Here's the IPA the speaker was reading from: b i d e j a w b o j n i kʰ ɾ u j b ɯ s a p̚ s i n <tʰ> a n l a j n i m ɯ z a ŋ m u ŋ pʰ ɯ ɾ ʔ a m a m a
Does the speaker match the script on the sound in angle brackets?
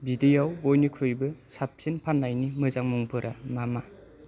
no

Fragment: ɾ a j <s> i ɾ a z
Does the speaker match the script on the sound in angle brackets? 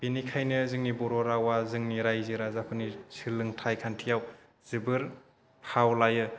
no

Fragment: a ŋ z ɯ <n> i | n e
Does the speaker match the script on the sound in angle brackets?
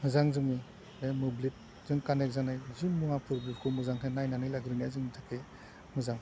no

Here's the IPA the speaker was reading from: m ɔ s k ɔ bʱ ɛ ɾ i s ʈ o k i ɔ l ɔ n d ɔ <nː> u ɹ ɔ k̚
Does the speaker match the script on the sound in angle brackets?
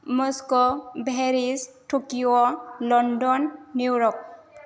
yes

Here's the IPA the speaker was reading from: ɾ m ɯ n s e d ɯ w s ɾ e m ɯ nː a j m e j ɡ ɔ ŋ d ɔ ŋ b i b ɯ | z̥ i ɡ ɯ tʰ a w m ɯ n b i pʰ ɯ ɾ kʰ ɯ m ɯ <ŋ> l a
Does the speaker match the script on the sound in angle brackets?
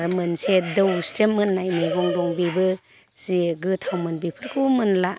no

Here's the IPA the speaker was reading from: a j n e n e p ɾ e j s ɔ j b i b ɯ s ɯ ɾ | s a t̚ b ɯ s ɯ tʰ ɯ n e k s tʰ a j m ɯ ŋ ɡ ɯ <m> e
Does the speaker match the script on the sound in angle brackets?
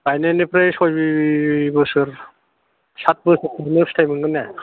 no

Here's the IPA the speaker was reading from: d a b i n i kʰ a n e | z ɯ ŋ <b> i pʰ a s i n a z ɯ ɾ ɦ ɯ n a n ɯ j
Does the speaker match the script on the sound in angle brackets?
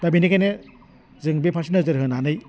yes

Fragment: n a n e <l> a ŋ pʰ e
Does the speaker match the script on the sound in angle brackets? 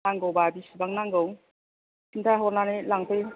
yes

